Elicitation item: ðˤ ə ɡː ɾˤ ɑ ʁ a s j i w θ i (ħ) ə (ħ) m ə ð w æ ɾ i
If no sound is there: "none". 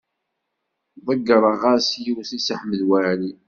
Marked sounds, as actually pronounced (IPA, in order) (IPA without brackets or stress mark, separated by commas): s, ħ